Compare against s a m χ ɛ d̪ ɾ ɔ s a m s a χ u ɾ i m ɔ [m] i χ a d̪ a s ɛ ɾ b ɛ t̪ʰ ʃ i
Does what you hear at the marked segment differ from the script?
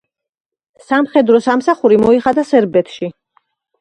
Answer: yes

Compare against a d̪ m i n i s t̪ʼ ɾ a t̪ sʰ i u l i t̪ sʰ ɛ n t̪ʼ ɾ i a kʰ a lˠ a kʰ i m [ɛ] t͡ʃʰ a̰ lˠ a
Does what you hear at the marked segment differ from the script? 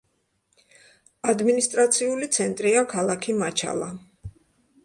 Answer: yes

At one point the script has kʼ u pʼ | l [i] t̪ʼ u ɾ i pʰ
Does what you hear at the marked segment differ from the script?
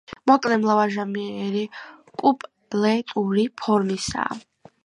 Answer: yes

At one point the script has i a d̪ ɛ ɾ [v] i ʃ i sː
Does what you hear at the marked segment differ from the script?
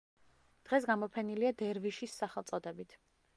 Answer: no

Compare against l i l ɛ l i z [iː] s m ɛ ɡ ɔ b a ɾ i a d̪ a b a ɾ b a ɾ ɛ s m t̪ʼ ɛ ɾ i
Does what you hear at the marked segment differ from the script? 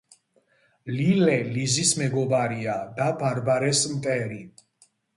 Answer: yes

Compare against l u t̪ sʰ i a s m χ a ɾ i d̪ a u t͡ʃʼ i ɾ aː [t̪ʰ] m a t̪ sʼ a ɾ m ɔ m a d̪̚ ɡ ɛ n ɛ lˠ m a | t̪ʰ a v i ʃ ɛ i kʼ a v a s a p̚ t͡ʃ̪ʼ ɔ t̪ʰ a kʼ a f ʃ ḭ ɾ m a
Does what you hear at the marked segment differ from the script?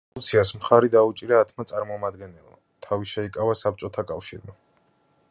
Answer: no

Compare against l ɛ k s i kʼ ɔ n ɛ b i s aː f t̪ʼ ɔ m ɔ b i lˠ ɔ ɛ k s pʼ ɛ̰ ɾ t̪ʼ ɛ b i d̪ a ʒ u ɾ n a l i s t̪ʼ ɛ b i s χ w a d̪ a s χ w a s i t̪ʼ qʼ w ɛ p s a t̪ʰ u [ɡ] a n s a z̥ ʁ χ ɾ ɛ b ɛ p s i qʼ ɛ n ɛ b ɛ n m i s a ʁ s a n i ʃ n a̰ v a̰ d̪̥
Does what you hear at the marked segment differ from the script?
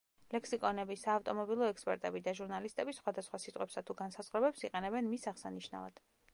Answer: no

